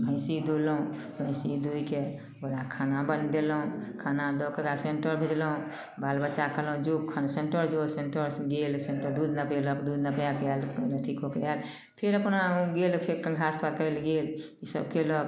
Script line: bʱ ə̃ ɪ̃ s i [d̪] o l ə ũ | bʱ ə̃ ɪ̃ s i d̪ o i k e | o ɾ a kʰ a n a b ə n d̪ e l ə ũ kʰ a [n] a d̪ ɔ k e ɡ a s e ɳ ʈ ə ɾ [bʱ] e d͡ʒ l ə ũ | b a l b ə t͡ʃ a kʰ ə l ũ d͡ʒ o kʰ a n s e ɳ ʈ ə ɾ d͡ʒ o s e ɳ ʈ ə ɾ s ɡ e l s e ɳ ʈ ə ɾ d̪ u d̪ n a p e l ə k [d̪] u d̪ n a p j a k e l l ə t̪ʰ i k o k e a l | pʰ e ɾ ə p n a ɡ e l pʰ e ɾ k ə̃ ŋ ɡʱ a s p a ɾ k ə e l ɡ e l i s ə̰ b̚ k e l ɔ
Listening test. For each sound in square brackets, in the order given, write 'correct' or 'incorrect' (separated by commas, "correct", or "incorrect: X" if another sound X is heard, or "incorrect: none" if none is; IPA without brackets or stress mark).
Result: correct, correct, correct, correct